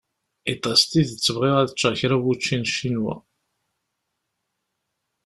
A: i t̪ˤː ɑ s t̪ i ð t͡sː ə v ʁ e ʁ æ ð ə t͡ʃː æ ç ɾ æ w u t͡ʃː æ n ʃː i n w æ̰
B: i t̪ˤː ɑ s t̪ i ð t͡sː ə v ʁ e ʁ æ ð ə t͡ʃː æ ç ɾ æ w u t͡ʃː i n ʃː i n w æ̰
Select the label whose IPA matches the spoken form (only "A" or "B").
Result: B